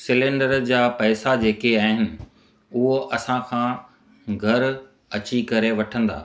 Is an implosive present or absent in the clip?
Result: absent